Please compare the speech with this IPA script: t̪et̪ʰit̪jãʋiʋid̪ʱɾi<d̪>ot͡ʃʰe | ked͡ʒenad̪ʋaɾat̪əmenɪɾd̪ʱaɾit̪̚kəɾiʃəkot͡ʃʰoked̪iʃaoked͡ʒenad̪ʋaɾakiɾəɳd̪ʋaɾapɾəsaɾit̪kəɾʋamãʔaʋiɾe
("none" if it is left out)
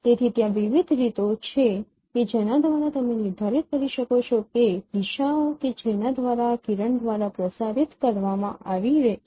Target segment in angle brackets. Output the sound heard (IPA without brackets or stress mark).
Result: t̪